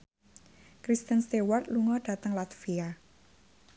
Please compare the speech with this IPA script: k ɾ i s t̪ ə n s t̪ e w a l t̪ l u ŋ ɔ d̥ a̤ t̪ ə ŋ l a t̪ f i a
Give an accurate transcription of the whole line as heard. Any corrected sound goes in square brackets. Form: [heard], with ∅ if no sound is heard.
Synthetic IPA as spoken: k ɾ i s t̪ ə n s t̪ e w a [r] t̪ l u ŋ ɔ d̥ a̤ t̪ ə ŋ l a t̪ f i a